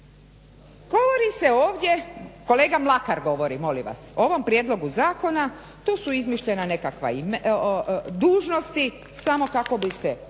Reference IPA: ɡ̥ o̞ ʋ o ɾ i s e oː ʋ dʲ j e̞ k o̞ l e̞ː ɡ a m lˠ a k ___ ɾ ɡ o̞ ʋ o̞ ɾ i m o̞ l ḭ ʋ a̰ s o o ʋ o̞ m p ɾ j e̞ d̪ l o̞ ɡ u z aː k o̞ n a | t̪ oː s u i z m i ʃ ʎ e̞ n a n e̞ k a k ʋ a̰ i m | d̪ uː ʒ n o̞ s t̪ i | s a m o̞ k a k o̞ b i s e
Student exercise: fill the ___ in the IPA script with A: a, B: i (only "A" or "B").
A